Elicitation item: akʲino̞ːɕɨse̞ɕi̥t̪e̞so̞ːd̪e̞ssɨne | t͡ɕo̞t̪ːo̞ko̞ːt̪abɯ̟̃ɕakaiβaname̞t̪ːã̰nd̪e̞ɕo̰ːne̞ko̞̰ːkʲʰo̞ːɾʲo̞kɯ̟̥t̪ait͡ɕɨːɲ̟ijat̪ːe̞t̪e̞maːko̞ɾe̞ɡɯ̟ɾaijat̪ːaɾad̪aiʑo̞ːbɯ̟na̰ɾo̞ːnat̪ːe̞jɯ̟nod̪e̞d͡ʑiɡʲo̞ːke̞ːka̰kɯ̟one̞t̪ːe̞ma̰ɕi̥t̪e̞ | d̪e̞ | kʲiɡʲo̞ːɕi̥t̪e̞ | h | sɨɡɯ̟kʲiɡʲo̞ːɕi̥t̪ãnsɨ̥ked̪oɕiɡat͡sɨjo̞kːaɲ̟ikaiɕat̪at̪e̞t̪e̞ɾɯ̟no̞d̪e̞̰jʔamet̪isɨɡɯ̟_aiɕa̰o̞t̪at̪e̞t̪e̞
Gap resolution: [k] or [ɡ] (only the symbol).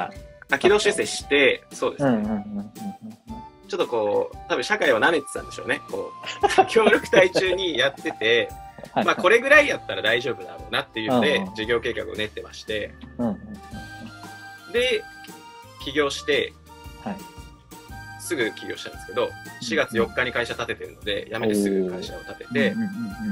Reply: k